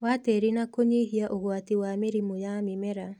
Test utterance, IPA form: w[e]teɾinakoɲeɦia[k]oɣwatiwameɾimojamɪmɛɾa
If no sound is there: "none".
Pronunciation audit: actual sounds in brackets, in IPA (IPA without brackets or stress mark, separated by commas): a, ʔ